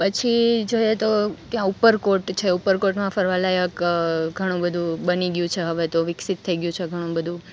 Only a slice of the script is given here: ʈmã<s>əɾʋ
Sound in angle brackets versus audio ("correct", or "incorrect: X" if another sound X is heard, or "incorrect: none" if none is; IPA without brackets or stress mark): incorrect: f